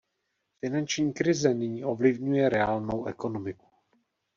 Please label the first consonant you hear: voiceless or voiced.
voiceless